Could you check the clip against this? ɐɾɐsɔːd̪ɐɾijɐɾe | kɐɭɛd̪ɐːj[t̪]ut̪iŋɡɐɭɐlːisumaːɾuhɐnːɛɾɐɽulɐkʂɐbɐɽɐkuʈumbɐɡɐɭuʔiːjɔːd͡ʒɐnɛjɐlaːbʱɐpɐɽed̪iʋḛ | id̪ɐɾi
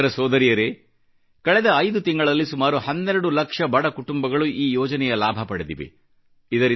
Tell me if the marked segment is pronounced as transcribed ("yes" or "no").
no